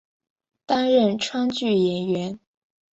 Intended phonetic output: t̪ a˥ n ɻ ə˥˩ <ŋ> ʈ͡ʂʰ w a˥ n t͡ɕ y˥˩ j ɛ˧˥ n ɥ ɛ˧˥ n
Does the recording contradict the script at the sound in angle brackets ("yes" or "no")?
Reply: yes